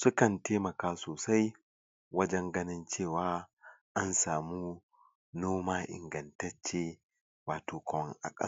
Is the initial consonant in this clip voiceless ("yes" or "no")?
yes